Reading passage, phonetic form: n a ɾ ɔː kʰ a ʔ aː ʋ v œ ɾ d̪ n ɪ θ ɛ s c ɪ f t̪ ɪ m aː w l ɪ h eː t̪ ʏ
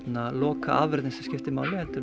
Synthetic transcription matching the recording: n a l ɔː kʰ a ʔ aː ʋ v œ ɾ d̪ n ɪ s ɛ s c ɪ f t̪ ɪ m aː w l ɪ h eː t̪ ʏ